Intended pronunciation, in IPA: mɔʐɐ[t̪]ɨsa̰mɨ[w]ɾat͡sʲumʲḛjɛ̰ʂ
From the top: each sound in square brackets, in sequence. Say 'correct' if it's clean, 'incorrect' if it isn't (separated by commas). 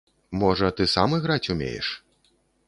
correct, incorrect